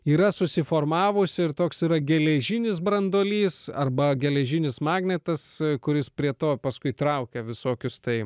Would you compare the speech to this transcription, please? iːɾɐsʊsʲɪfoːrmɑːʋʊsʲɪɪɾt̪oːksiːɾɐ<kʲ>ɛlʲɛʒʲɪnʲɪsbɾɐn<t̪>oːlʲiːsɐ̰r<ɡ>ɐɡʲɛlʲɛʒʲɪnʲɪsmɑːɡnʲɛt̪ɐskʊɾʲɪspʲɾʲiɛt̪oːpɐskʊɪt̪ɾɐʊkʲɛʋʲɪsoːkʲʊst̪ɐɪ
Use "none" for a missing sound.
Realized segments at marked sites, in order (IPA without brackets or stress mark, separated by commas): ɡʲ, d̪, b